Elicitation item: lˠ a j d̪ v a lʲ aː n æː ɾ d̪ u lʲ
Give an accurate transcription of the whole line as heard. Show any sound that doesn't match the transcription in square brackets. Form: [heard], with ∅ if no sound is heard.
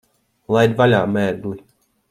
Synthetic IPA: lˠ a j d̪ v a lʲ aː [m] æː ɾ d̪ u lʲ